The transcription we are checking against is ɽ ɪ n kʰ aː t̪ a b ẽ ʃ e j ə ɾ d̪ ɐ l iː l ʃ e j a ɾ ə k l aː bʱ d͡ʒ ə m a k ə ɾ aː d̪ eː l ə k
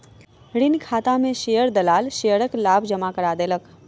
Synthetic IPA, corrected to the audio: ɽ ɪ n kʰ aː t̪ a m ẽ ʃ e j ə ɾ d̪ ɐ l aː l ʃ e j ə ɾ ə k l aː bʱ d͡ʒ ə m a k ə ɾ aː d̪ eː l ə k